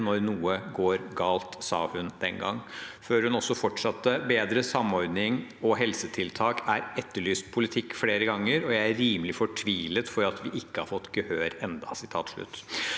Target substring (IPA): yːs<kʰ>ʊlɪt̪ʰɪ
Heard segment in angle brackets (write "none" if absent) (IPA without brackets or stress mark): pʰ